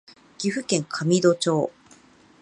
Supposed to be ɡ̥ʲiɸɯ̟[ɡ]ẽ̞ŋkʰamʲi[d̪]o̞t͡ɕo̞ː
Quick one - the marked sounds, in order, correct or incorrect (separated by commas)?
incorrect, correct